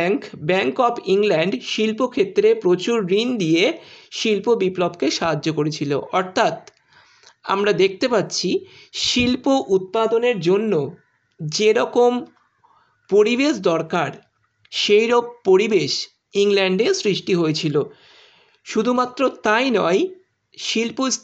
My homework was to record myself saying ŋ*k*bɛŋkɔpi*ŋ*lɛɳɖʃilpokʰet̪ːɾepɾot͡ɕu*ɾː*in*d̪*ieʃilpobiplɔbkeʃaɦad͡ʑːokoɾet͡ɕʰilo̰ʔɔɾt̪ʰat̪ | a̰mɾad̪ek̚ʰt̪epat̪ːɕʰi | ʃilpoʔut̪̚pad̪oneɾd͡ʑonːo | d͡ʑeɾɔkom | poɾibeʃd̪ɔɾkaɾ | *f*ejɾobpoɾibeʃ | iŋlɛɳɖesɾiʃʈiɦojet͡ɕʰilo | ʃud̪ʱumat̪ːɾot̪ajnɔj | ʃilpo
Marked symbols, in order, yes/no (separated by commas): yes, yes, yes, yes, no